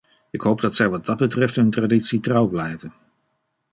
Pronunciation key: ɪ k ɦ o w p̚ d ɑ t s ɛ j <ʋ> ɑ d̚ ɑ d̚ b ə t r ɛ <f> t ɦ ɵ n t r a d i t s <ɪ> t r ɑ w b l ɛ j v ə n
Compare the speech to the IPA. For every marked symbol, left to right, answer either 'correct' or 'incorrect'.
correct, correct, incorrect: i

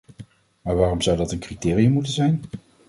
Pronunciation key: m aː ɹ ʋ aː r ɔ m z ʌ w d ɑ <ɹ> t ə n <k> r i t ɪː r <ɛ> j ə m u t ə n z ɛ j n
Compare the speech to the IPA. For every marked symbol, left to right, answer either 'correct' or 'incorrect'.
incorrect: none, correct, incorrect: i

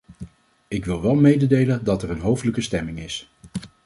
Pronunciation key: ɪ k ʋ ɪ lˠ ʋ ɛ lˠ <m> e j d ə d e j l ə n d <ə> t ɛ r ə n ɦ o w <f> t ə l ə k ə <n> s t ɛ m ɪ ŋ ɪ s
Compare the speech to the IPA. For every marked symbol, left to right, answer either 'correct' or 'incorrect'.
correct, incorrect: ɑ, correct, incorrect: none

